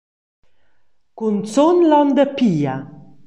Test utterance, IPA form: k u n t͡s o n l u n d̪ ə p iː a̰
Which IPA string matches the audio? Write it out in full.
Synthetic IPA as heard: k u n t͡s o n l ɔ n d̪ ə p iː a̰